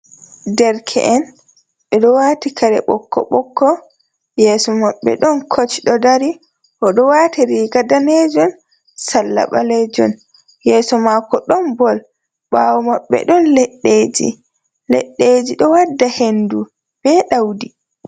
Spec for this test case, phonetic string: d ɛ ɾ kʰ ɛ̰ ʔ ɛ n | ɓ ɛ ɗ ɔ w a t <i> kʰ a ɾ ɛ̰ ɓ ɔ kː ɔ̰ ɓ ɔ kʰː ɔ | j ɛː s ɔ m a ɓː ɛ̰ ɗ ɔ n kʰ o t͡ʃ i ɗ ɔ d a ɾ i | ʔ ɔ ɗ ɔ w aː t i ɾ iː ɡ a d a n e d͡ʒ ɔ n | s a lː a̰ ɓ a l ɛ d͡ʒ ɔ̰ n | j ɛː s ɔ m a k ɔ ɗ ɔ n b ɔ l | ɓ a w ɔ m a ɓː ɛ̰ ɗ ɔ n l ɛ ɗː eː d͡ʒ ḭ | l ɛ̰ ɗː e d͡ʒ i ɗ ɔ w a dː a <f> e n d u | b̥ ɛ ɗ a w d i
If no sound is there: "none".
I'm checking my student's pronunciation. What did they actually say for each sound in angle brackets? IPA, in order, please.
i, h

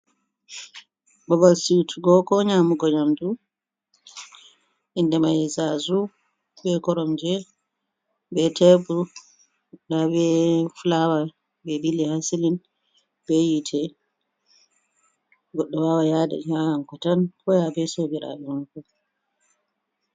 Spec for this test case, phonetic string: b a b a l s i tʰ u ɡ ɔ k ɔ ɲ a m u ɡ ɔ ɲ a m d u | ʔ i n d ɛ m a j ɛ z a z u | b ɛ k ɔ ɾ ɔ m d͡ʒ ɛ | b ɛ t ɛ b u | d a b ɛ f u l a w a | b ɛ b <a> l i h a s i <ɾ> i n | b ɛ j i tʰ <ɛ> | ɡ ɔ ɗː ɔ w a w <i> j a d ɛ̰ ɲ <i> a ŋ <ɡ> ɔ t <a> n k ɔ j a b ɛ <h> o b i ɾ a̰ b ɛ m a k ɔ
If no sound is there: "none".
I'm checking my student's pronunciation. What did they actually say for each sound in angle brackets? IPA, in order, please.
i, l, ɛ, a, a, k, a, s

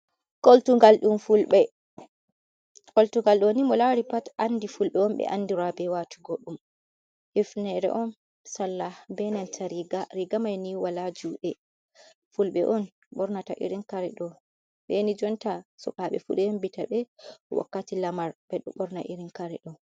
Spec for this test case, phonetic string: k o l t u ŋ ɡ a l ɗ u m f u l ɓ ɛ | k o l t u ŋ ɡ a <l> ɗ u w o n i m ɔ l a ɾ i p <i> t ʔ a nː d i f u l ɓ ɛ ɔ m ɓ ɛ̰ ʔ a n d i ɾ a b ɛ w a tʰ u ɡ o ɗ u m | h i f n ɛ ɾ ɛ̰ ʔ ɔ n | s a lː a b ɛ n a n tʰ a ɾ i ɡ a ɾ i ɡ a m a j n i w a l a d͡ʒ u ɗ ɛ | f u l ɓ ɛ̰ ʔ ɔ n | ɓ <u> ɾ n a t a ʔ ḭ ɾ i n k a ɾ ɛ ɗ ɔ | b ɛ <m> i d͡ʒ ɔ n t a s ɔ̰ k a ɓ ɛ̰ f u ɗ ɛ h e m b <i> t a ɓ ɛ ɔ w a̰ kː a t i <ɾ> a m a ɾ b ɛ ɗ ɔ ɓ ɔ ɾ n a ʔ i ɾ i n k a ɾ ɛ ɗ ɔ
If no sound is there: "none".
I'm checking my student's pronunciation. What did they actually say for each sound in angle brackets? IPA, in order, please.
l, a, ɔ, n, i, l

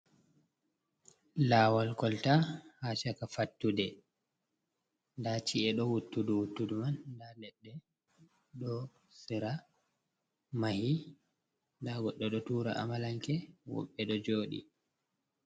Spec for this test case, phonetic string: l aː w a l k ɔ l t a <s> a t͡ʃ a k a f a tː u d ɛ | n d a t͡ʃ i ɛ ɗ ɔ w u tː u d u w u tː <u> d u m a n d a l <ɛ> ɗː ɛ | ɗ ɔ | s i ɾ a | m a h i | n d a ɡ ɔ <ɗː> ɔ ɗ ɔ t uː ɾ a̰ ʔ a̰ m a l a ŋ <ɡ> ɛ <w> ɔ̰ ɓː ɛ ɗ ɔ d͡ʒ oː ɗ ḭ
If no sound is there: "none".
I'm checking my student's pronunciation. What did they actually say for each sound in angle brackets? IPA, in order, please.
h, u, ɛ, ɗː, k, w

